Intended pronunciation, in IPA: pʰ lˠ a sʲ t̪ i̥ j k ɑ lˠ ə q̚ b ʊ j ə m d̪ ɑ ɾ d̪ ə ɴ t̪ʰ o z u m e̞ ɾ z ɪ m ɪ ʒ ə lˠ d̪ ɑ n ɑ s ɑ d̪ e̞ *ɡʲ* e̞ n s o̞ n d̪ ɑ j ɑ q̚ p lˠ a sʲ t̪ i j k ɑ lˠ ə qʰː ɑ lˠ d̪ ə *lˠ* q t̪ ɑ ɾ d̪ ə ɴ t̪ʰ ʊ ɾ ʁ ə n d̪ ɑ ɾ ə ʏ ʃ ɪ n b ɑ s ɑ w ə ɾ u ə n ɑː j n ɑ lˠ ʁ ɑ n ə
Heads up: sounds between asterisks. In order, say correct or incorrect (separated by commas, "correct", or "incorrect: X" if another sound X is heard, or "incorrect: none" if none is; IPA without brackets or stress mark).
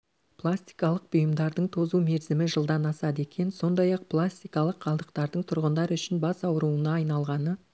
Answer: incorrect: kʲ, incorrect: none